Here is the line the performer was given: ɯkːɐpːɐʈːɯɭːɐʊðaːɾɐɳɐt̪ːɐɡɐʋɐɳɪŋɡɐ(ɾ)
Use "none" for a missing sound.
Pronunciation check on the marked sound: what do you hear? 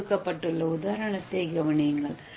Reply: ɭ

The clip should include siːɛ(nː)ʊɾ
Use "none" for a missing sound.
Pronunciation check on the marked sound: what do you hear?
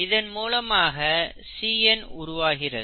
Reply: n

